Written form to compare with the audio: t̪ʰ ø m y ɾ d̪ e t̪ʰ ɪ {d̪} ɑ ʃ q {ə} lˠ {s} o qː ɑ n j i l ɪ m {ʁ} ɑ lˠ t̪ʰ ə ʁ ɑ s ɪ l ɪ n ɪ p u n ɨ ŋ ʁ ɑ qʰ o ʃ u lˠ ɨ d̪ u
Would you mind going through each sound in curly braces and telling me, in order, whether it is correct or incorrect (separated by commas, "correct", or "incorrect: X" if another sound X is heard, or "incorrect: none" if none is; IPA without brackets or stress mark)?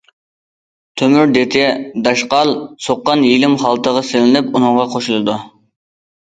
correct, incorrect: ɑ, correct, incorrect: χ